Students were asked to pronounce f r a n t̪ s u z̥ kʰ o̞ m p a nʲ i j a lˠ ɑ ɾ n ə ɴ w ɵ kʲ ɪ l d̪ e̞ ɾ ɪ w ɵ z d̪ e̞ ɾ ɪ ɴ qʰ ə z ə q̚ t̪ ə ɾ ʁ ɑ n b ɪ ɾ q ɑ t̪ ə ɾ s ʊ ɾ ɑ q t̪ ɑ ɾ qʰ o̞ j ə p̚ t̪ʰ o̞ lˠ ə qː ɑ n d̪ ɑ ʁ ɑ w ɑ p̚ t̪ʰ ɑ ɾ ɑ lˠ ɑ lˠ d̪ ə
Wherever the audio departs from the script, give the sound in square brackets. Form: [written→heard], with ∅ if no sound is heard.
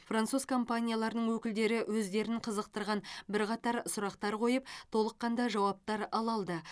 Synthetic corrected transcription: f r a n t̪ s u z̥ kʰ o̞ m p a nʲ i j a lˠ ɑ ɾ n ə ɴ w ɵ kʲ ɪ l d̪ e̞ ɾ ɪ w ɵ z d̪ e̞ ɾ ɪ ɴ qʰ ə z ə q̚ t̪ ə ɾ ʁ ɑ n b ɪ ɾ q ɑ t̪ [ə→ɑ] ɾ s ʊ ɾ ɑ q t̪ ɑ ɾ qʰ o̞ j ə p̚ t̪ʰ o̞ lˠ ə qː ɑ n d̪ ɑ [ʁ→ʒ] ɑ w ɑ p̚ [t̪ʰ→t̪] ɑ ɾ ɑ lˠ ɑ lˠ d̪ ə